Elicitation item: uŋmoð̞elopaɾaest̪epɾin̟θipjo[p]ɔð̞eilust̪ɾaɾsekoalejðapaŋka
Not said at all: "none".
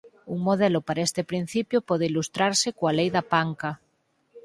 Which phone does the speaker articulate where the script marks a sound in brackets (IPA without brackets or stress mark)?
p